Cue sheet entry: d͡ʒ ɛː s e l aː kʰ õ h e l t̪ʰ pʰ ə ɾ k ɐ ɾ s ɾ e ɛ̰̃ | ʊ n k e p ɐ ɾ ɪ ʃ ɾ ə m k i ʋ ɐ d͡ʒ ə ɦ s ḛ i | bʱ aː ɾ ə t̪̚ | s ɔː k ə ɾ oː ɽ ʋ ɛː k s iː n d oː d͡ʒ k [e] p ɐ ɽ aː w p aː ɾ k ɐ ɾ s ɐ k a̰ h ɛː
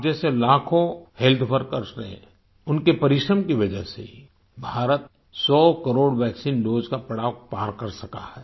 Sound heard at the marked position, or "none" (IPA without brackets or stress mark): a